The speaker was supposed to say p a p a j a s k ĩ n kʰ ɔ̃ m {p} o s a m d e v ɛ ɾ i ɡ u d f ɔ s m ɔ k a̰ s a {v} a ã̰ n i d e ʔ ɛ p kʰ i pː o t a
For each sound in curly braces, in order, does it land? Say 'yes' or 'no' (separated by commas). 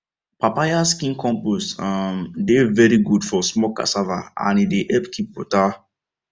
yes, yes